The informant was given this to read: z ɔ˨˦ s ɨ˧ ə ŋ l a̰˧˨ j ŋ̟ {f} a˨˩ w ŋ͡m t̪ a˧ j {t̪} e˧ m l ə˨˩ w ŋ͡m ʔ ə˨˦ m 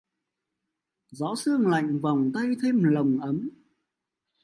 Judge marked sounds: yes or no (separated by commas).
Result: no, no